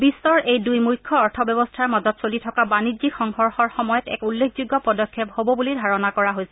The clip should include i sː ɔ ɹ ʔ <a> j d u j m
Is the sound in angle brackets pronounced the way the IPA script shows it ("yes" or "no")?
no